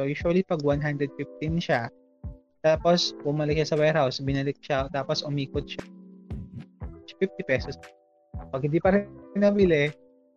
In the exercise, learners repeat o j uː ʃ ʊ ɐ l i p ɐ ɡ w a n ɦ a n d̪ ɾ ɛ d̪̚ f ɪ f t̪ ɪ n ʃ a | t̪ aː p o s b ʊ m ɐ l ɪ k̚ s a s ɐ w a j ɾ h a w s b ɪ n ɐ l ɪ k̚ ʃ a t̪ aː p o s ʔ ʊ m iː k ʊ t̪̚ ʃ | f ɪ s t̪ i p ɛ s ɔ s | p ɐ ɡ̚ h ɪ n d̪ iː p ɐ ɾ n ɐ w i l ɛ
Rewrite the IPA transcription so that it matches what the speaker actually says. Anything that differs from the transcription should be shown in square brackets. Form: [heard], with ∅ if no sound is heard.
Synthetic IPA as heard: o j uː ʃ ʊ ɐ l i p ɐ ɡ w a n ɦ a n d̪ ɾ ɛ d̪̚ f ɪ f t̪ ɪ n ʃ a | t̪ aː p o s b ʊ m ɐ l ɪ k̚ [ʃ] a s ɐ w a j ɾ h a w s b ɪ n ɐ l ɪ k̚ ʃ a t̪ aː p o s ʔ ʊ m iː k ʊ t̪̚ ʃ | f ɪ [f] t̪ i p ɛ s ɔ s | p ɐ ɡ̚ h ɪ n d̪ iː p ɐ ɾ n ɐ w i l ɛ